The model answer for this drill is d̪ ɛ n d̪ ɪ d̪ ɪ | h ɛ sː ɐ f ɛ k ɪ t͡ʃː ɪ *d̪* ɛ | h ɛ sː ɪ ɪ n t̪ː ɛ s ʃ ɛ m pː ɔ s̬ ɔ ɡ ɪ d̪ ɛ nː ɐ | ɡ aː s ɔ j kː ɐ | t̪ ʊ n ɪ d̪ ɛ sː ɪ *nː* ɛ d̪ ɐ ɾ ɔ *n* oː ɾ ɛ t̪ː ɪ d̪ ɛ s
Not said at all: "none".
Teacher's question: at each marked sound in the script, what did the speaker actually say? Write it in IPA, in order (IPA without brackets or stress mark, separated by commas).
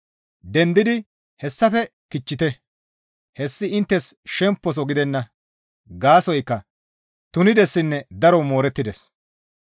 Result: t̪, nː, m